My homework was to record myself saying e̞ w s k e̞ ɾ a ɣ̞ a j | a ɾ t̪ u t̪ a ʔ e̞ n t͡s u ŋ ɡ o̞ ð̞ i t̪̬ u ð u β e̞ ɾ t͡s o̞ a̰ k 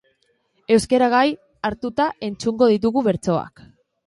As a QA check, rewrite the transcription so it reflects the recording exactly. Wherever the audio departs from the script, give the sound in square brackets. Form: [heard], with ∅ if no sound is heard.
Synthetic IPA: e̞ w s k e̞ ɾ a ɣ̞ a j | a ɾ t̪ u t̪ a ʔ e̞ n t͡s u ŋ ɡ o̞ ð̞ i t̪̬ u [ɣ] u β e̞ ɾ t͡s o̞ a̰ k